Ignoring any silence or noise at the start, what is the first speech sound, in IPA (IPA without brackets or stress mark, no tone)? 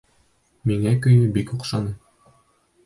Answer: m